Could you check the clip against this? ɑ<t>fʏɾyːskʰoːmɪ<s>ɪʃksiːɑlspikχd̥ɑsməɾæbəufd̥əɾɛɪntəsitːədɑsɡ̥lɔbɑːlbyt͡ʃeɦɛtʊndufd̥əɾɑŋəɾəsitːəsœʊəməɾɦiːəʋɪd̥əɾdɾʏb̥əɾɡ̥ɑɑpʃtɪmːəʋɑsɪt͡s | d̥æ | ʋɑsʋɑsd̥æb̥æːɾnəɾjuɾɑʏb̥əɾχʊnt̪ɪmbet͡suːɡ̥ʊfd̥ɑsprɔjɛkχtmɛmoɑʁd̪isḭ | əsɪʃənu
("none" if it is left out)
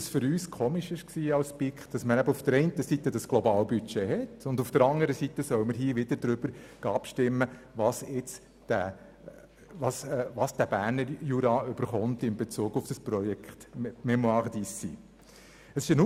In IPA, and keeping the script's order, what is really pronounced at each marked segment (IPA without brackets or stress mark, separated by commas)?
s, ʃ